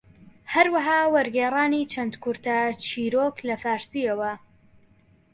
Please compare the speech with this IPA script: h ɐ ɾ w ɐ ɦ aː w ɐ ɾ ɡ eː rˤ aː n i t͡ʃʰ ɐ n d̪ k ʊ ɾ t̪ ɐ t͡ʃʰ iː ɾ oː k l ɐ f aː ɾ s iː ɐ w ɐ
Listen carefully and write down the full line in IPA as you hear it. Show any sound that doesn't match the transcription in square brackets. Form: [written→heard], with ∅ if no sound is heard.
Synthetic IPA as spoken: h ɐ ɾ w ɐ ɦ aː w ɐ ɾ ɡ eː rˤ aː n i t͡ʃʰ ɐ n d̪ k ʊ ɾ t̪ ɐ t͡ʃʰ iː ɾ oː k l ɐ f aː ɾ s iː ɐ w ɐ